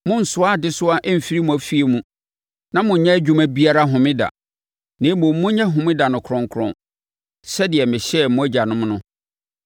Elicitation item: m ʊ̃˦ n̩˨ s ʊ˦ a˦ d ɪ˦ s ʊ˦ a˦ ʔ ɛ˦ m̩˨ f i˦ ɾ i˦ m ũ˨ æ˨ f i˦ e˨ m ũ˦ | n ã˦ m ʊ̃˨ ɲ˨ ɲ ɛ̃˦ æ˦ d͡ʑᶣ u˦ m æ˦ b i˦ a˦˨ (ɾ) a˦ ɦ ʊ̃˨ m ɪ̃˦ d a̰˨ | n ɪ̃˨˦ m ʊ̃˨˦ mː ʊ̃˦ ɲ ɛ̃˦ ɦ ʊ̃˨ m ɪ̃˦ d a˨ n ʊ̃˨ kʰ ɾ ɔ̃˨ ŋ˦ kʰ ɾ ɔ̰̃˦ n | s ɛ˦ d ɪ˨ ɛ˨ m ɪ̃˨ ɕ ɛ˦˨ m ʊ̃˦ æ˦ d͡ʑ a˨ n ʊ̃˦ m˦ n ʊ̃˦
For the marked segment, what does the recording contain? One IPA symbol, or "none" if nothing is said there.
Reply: ɾ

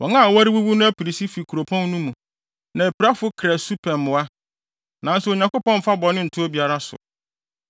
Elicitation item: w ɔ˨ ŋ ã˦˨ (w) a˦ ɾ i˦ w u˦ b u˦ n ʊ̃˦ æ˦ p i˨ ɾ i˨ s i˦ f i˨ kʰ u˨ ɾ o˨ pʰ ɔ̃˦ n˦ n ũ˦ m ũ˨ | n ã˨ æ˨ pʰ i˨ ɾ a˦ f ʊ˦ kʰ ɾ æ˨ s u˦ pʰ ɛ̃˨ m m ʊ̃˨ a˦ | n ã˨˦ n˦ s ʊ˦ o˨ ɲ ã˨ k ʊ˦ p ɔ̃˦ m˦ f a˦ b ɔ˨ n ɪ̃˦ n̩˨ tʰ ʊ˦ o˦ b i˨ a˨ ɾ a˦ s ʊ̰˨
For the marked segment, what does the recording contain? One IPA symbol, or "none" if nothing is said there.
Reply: w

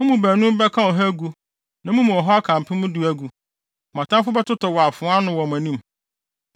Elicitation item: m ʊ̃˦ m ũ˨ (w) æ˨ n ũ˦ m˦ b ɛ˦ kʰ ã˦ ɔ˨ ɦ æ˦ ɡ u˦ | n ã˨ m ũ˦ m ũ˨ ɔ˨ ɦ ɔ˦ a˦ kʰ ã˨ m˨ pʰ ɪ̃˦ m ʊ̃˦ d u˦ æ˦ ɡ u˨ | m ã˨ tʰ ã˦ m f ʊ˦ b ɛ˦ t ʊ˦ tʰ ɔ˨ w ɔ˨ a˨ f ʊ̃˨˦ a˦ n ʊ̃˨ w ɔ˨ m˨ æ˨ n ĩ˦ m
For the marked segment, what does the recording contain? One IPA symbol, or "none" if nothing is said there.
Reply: b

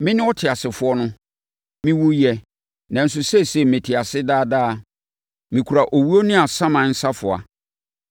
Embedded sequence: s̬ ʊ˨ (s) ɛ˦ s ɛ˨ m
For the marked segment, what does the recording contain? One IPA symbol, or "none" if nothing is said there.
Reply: s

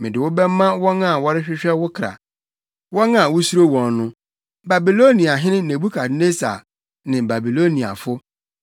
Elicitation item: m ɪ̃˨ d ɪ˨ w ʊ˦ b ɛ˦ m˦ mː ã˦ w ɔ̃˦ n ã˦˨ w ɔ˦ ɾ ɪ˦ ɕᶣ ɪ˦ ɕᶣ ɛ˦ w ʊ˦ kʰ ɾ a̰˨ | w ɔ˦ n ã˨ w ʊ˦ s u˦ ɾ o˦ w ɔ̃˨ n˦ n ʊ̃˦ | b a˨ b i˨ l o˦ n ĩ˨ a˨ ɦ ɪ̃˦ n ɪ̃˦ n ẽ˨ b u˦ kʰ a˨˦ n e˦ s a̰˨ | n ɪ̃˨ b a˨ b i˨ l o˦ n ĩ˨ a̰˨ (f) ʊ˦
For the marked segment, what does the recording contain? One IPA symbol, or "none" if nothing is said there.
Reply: f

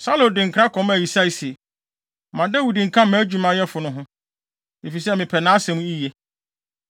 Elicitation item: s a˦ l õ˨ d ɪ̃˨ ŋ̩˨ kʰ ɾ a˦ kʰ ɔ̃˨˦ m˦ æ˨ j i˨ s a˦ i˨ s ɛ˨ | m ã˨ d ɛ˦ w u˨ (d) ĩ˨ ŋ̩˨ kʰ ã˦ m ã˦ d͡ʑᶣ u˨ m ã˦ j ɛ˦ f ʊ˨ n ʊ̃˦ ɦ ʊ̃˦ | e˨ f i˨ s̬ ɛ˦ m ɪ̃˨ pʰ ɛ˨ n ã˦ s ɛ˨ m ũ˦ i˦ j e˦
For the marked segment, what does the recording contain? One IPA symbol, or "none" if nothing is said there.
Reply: d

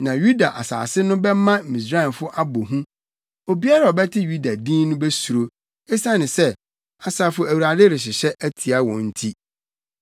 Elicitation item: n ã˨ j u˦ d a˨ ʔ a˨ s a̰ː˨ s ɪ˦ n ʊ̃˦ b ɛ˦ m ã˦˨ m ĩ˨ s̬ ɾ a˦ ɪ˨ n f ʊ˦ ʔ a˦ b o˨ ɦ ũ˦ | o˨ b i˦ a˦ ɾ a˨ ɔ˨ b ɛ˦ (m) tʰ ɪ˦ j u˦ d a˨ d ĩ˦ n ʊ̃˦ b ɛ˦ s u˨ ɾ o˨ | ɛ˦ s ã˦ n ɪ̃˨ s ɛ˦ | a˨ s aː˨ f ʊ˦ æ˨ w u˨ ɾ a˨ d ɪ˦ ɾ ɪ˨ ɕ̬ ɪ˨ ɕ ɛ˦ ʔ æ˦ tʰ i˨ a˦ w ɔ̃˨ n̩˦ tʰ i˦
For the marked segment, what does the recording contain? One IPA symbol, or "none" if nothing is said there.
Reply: none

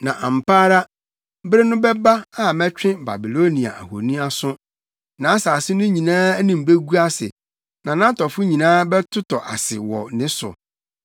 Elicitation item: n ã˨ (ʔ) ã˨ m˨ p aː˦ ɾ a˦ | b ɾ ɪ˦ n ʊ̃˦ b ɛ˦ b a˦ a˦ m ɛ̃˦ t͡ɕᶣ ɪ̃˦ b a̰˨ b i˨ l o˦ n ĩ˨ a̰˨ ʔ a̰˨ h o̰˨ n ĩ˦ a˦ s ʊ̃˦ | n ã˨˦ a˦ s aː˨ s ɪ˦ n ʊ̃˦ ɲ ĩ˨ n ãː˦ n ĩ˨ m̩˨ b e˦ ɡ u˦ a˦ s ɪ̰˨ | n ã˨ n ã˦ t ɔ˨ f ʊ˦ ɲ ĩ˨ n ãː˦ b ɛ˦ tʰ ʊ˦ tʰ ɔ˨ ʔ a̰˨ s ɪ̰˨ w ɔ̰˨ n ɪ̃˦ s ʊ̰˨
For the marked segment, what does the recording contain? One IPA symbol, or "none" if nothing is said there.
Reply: ʔ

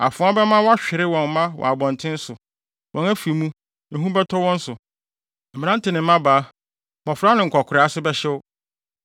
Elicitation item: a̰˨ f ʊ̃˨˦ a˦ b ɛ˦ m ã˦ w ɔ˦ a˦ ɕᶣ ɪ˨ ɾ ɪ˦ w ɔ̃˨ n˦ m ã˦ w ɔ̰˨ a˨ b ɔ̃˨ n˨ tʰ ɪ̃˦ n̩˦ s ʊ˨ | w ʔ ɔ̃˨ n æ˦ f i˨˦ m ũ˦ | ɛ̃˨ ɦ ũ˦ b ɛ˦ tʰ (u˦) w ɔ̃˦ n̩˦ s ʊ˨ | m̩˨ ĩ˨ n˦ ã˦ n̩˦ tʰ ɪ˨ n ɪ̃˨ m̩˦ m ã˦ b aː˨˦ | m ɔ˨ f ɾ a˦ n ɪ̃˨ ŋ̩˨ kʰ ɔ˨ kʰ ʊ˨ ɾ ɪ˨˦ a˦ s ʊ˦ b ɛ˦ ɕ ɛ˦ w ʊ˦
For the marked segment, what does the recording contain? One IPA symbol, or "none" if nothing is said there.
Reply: ɔ˦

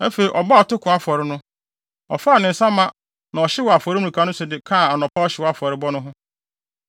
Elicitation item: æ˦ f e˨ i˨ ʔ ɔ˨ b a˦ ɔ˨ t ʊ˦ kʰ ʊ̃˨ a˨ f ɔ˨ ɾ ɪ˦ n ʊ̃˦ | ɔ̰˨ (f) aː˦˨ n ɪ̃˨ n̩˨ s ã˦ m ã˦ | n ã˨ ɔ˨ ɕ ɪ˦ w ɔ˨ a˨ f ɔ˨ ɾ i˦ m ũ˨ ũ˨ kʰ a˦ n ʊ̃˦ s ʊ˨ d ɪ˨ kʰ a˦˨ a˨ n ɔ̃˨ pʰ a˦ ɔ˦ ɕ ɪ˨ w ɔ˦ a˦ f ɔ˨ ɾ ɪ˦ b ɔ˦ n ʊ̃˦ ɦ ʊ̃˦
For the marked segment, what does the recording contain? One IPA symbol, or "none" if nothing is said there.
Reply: f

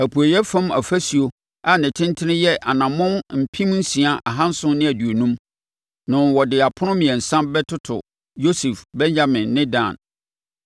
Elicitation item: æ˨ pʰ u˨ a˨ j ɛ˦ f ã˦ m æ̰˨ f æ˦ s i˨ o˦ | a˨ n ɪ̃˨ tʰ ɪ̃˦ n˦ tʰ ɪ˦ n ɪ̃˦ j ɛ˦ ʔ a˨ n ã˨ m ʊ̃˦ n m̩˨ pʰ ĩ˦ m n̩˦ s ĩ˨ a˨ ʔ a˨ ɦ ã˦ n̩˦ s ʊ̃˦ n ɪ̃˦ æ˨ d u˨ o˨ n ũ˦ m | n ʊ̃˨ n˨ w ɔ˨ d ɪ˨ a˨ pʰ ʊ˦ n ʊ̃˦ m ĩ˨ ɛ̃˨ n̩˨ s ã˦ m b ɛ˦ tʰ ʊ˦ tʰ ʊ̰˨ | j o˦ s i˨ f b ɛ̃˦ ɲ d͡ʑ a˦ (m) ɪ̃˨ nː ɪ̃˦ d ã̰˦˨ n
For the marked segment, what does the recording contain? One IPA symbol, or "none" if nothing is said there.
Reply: m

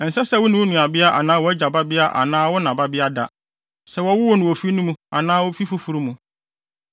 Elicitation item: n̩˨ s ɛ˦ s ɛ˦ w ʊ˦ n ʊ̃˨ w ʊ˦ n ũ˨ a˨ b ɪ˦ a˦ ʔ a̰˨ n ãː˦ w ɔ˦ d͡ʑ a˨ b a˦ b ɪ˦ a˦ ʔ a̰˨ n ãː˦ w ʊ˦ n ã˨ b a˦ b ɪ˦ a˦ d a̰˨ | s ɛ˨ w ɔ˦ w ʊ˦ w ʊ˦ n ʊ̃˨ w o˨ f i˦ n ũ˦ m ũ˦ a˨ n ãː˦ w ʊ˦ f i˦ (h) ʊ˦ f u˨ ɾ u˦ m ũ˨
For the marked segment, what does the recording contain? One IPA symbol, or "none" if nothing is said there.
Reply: f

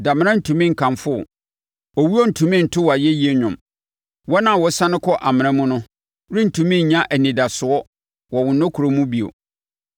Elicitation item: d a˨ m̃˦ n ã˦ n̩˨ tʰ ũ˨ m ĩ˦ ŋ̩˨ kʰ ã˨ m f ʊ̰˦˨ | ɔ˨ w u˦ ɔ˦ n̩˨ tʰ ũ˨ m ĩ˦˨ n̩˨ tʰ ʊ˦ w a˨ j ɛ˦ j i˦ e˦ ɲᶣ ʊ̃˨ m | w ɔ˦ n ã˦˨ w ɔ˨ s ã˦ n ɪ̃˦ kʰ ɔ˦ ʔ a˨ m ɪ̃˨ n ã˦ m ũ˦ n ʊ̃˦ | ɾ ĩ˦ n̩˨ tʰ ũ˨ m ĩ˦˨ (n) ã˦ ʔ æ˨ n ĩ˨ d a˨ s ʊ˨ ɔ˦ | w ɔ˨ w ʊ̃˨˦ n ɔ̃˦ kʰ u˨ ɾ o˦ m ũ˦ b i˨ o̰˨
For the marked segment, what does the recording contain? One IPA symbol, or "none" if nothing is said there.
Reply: ɲ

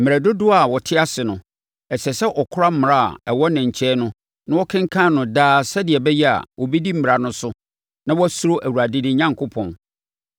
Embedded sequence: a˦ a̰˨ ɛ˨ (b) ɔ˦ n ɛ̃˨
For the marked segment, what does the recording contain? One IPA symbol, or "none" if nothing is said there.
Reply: w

